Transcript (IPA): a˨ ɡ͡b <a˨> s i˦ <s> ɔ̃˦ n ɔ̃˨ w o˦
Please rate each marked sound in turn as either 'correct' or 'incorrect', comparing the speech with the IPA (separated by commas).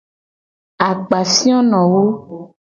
correct, incorrect